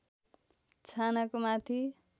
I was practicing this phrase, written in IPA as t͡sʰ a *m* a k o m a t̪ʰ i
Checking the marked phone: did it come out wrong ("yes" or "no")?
yes